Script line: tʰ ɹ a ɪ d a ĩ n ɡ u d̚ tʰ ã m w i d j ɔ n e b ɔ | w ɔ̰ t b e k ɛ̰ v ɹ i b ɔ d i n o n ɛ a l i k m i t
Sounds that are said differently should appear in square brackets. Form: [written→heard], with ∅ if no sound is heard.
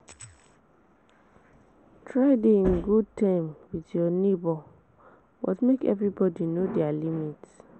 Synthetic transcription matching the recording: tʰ ɹ a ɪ d [a→e] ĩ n ɡ u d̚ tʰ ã m w i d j ɔ n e b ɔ | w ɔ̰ t [b→m] e k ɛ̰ v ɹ i b ɔ d i n o [n→d] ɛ a l i [k→∅] m i t